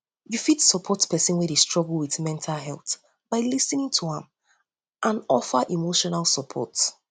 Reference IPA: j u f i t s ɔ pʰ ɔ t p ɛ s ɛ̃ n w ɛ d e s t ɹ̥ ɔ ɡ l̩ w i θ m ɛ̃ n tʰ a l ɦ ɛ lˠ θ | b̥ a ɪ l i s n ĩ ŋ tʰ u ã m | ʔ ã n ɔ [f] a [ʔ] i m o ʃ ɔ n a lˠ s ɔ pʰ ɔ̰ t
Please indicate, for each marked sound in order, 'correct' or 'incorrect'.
correct, correct

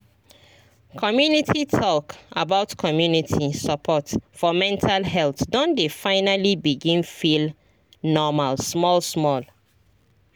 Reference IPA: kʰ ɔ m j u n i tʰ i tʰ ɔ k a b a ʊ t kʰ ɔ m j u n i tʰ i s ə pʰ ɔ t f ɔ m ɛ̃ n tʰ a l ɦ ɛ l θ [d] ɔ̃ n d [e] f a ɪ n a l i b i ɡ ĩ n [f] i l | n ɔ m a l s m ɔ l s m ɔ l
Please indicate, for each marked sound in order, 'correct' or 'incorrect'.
correct, correct, correct

